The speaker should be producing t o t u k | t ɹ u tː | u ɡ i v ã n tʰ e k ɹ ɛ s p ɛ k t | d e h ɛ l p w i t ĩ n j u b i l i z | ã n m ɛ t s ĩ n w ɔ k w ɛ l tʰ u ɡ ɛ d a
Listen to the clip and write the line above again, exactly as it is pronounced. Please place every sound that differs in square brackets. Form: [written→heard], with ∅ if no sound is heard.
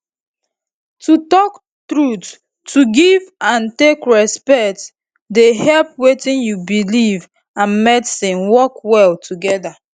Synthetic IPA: t [o→u] t [u→ɔ] k | t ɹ u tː | u ɡ i v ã n [tʰ→t] e k ɹ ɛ s p ɛ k t | d e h ɛ l p w [i→e] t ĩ n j u b i l i [z→v] | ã n m ɛ t s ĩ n w ɔ k w ɛ l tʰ u ɡ ɛ d a